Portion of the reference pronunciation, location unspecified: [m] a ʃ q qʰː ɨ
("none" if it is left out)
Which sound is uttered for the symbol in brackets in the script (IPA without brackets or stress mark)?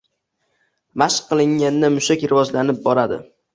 m